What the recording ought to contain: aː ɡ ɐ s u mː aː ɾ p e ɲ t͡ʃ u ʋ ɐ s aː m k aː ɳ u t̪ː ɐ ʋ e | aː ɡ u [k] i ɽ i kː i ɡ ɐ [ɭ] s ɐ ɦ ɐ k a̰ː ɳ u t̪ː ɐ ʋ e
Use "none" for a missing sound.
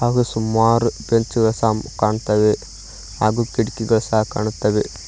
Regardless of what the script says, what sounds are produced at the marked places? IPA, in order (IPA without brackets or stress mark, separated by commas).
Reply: k, ɭ